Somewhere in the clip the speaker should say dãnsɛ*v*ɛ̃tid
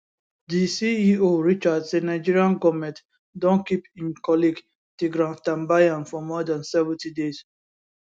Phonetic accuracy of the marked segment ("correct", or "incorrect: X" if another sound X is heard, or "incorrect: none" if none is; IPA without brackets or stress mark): correct